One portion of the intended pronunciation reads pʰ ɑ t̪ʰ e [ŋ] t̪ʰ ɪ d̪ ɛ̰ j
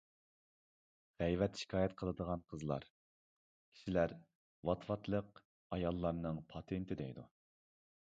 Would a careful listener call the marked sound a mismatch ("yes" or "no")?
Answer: yes